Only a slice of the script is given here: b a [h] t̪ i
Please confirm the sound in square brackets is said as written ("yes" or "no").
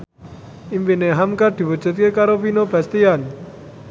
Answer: no